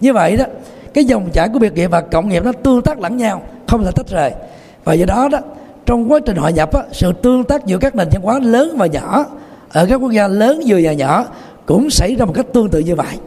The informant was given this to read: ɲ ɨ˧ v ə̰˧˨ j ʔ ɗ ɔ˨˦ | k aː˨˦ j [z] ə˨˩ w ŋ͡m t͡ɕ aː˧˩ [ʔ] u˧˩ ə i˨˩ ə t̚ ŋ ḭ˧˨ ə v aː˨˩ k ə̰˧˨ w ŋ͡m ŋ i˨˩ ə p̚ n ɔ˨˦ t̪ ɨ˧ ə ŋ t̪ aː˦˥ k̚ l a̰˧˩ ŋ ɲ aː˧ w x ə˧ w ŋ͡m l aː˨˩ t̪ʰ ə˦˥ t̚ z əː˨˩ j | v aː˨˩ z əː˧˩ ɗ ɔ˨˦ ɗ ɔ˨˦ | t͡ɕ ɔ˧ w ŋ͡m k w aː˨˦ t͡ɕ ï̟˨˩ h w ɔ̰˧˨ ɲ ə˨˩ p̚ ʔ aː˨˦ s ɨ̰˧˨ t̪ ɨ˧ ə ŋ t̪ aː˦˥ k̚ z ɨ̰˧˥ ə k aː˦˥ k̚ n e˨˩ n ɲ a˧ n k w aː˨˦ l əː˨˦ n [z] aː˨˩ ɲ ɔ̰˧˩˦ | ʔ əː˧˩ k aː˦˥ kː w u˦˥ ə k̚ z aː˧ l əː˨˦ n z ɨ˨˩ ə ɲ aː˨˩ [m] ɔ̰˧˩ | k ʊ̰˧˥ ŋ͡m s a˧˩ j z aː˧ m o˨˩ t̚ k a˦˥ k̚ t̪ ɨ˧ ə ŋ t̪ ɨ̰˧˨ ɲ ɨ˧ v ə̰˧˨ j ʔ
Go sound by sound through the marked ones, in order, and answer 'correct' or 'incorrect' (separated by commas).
correct, incorrect, incorrect, incorrect